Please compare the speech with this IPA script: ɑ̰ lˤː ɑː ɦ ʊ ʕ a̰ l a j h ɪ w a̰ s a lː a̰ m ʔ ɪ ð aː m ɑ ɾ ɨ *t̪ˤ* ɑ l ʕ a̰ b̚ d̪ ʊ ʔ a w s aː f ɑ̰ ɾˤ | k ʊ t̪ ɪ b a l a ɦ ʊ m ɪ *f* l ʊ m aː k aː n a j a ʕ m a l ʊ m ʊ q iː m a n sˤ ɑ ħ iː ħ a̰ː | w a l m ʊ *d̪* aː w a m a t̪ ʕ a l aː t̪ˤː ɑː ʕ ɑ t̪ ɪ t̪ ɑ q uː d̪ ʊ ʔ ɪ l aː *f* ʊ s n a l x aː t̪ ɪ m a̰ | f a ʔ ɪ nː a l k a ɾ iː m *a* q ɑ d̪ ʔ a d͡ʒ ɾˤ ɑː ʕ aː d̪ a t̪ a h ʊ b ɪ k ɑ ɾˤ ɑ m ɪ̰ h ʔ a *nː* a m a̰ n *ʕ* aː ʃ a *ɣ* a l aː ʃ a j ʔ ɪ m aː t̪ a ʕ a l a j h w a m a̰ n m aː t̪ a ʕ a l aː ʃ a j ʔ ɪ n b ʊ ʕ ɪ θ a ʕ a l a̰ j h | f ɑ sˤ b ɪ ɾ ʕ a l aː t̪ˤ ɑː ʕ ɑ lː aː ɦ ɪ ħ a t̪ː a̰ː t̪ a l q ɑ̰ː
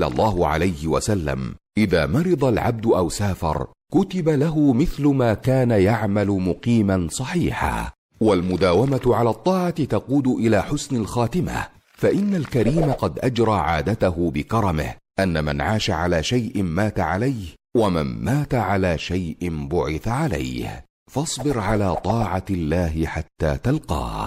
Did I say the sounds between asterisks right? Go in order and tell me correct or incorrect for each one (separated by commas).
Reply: incorrect, incorrect, correct, incorrect, correct, correct, correct, incorrect